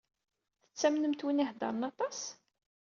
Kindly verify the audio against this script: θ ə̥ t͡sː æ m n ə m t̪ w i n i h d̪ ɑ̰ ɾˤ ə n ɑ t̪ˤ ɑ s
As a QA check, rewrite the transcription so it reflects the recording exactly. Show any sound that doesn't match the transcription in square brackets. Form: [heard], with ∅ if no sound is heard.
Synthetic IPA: θ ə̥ t͡sː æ m n ə m t̪ w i n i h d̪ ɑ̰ ɾˤ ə n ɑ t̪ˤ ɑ s